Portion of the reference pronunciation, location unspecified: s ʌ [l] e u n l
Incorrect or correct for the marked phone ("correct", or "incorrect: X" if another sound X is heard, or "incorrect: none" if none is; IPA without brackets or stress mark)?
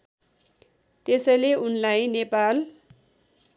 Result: correct